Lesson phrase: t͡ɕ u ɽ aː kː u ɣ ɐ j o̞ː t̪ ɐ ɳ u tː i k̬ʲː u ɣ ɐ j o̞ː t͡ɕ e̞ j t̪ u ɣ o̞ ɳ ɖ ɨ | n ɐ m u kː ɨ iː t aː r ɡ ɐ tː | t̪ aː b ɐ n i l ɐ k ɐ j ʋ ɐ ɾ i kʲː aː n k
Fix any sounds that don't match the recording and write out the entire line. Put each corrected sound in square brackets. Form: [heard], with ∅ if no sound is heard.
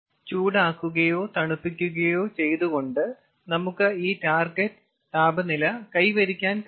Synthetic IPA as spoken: t͡ɕ [uː] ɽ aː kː u ɣ ɐ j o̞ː t̪ ɐ ɳ u [pː] i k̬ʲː u ɣ ɐ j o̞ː t͡ɕ e̞ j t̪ u ɣ o̞ ɳ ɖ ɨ | n ɐ m u kː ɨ iː t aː r ɡ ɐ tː | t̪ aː b ɐ n i l ɐ k ɐ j ʋ ɐ ɾ i kʲː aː n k